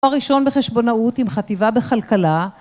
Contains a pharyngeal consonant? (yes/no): no